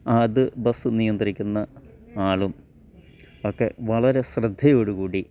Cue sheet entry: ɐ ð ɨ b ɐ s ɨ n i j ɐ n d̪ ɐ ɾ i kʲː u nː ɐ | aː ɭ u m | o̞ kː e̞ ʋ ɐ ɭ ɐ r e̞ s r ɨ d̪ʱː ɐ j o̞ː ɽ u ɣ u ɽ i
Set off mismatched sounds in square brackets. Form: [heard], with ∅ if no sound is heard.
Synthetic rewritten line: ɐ ð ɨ b ɐ s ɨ n i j ɐ n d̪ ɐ ɾ i kʲː u nː ɐ | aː ɭ u m | o̞ kː e̞ ʋ ɐ ɭ ɐ [ɾ] e̞ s r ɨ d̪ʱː ɐ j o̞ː ɽ u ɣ [uː] ɽ i